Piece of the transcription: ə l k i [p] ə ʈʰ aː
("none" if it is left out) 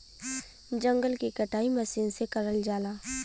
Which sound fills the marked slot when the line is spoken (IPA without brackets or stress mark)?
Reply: k